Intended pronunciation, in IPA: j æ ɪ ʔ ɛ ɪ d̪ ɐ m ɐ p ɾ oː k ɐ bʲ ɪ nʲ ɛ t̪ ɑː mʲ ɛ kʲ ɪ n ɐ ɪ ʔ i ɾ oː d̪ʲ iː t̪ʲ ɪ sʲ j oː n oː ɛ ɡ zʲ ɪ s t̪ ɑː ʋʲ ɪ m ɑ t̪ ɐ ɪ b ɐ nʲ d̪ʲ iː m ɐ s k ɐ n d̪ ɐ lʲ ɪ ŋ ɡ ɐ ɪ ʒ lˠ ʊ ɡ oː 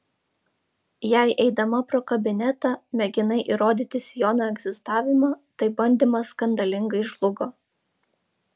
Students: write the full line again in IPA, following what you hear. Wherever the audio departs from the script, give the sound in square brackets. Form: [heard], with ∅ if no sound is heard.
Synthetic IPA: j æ ɪ ʔ ɛ ɪ d̪ ɐ m ɐ p ɾ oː k ɐ bʲ ɪ nʲ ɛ t̪ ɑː mʲ ɛ [ɡʲ] ɪ n ɐ ɪ ʔ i ɾ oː d̪ʲ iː t̪ʲ ɪ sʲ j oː n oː ɛ ɡ zʲ ɪ s t̪ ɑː ʋʲ ɪ m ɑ t̪ ɐ ɪ b ɐ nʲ d̪ʲ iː m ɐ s k ɐ n d̪ ɐ lʲ ɪ ŋ ɡ ɐ ɪ ʒ lˠ ʊ ɡ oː

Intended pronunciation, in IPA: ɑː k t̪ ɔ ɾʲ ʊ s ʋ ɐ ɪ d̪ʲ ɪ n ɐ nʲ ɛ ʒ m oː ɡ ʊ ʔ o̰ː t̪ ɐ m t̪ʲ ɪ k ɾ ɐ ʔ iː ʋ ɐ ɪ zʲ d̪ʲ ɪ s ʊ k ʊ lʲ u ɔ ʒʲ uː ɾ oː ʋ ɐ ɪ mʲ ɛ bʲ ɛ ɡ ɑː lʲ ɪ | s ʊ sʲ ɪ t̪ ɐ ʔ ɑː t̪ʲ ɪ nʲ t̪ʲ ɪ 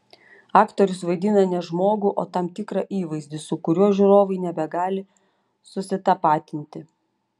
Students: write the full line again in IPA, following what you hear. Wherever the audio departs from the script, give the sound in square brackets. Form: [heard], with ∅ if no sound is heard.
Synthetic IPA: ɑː k t̪ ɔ ɾʲ ʊ s ʋ ɐ ɪ d̪ʲ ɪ n ɐ nʲ ɛ ʒ m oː ɡ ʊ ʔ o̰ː t̪ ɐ m t̪ʲ ɪ k ɾ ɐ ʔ iː ʋ ɐ ɪ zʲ d̪ʲ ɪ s ʊ k ʊ [ɾʲ] u ɔ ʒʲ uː ɾ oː ʋ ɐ ɪ [nʲ] ɛ bʲ ɛ ɡ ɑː lʲ ɪ | s ʊ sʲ ɪ t̪ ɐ [p] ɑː t̪ʲ ɪ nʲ t̪ʲ ɪ

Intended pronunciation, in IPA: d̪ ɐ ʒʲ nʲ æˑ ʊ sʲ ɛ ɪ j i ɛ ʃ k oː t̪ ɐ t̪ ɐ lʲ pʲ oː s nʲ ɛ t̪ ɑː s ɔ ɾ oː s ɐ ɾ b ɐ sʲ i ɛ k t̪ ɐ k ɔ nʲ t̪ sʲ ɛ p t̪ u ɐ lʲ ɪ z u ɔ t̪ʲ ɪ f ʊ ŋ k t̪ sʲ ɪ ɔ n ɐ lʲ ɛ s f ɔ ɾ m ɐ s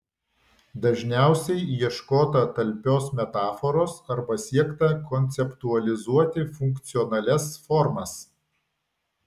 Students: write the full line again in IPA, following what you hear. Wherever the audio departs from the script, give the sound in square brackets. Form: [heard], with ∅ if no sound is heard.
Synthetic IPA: d̪ ɐ ʒʲ nʲ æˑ ʊ sʲ ɛ ɪ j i ɛ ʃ k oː t̪ ɐ t̪ ɐ lʲ pʲ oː s [mʲ] ɛ t̪ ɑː [f] ɔ ɾ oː s ɐ ɾ b ɐ sʲ i ɛ k t̪ ɐ k ɔ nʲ t̪ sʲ ɛ p t̪ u ɐ lʲ ɪ z u ɔ t̪ʲ ɪ f ʊ ŋ k t̪ sʲ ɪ ɔ n ɐ lʲ ɛ s f ɔ ɾ m ɐ s

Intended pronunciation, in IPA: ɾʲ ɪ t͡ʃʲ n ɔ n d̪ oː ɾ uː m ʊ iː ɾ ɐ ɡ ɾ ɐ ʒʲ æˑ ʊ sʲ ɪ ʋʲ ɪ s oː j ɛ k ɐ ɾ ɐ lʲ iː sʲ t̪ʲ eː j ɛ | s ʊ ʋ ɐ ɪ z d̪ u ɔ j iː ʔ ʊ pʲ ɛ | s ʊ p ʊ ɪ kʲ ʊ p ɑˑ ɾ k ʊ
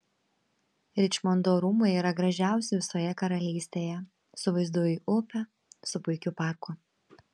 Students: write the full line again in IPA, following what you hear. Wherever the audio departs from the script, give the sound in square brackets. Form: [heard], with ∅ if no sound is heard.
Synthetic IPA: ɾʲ ɪ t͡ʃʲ [m] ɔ n d̪ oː ɾ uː m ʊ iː ɾ ɐ ɡ ɾ ɐ ʒʲ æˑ ʊ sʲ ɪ ʋʲ ɪ s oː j ɛ k ɐ ɾ ɐ lʲ iː sʲ t̪ʲ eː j ɛ | s ʊ ʋ ɐ ɪ z d̪ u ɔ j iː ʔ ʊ pʲ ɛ | s ʊ p ʊ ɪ kʲ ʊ p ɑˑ ɾ k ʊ

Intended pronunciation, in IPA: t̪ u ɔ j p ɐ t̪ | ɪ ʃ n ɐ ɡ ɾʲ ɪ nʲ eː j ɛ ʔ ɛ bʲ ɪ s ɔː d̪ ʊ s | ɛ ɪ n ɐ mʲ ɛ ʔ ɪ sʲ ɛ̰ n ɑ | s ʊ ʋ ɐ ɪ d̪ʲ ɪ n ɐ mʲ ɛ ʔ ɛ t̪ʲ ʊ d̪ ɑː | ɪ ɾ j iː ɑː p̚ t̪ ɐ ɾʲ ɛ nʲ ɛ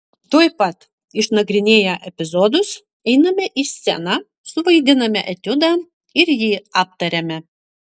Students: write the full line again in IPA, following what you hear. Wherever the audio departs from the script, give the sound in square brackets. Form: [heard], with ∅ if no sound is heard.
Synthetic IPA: t̪ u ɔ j p ɐ t̪ | ɪ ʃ n ɐ ɡ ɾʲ ɪ nʲ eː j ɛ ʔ ɛ [pʲ] ɪ [z] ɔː d̪ ʊ s | ɛ ɪ n ɐ mʲ ɛ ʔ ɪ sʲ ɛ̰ n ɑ | s ʊ ʋ ɐ ɪ d̪ʲ ɪ n ɐ mʲ ɛ ʔ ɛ t̪ʲ ʊ d̪ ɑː | ɪ ɾ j iː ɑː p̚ t̪ ɐ ɾʲ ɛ [mʲ] ɛ

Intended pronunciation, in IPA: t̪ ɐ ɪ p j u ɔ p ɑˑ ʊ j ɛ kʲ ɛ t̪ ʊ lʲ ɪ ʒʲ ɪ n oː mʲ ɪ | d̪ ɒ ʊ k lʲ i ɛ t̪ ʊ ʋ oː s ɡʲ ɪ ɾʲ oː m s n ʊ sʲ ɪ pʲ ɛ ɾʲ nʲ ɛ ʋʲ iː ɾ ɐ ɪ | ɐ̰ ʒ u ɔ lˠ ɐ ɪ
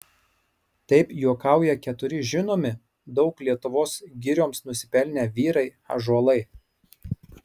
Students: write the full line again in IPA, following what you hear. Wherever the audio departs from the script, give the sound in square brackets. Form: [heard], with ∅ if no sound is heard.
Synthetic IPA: t̪ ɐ ɪ p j u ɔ [k] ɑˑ ʊ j ɛ kʲ ɛ t̪ ʊ [ɾʲ] ɪ ʒʲ ɪ n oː mʲ ɪ | d̪ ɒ ʊ k lʲ i ɛ t̪ ʊ ʋ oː s ɡʲ ɪ ɾʲ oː m s n ʊ sʲ ɪ pʲ ɛ [lʲ] nʲ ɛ ʋʲ iː ɾ ɐ ɪ | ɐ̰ ʒ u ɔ lˠ ɐ ɪ

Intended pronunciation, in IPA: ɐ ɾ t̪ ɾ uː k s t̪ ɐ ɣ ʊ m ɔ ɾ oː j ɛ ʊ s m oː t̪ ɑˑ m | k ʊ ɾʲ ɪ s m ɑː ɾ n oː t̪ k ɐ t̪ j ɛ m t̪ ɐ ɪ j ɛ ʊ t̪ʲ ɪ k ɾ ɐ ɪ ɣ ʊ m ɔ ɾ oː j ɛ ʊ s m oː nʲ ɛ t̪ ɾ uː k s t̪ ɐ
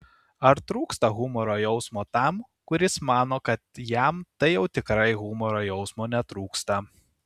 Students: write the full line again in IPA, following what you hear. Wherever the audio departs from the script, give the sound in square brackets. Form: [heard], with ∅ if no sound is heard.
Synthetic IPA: ɐ ɾ t̪ ɾ uː k s t̪ ɐ ɣ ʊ m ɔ ɾ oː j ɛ ʊ s m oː t̪ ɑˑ m | k ʊ ɾʲ ɪ s m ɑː [∅] n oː [∅] k ɐ t̪ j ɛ m t̪ ɐ ɪ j ɛ ʊ t̪ʲ ɪ k ɾ ɐ ɪ ɣ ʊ m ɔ ɾ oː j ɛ ʊ s m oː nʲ ɛ t̪ ɾ uː k s t̪ ɐ

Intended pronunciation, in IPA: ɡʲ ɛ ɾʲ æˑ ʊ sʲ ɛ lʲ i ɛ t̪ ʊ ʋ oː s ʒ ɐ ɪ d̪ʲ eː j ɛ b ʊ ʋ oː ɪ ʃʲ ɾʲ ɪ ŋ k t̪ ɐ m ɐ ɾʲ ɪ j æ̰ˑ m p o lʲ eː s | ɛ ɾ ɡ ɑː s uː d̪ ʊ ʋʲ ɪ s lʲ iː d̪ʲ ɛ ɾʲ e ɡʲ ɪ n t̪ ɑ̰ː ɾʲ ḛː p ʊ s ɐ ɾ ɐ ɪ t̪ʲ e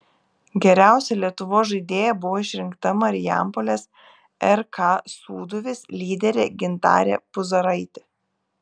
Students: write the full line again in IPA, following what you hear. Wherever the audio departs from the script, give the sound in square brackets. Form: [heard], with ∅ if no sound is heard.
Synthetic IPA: ɡʲ ɛ ɾʲ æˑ ʊ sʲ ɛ lʲ i ɛ t̪ ʊ ʋ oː s ʒ ɐ ɪ d̪ʲ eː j ɛ b ʊ ʋ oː ɪ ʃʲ ɾʲ ɪ ŋ k t̪ ɐ m ɐ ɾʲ ɪ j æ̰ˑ m p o lʲ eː s | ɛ ɾ [k] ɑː s uː d̪ ʊ ʋʲ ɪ s lʲ iː d̪ʲ ɛ ɾʲ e ɡʲ ɪ n t̪ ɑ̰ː ɾʲ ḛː p ʊ [z] ɐ ɾ ɐ ɪ t̪ʲ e

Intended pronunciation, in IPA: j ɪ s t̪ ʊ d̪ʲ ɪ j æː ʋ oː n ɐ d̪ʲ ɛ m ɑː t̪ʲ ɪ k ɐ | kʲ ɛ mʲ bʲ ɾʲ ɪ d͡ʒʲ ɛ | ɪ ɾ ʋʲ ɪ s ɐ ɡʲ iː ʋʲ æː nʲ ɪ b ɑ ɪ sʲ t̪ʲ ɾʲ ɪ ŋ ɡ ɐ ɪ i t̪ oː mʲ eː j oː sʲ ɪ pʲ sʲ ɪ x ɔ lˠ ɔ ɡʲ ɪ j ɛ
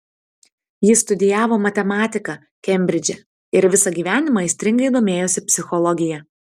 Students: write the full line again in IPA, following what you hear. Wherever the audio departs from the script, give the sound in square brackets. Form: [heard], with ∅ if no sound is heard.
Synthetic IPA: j ɪ s t̪ ʊ d̪ʲ ɪ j æː ʋ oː [m] ɐ [t̪ʲ] ɛ m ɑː t̪ʲ ɪ k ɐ | kʲ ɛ mʲ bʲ ɾʲ ɪ d͡ʒʲ ɛ | ɪ ɾ ʋʲ ɪ s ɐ ɡʲ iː ʋʲ æː nʲ ɪ [m] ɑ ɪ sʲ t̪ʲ ɾʲ ɪ ŋ ɡ ɐ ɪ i [d̪] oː mʲ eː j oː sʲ ɪ pʲ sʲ ɪ x ɔ lˠ ɔ ɡʲ ɪ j ɛ

